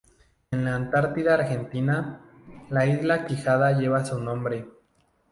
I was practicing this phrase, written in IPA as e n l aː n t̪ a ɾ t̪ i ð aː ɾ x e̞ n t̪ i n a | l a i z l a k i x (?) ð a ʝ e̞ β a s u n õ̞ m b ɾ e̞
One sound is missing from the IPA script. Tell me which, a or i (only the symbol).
a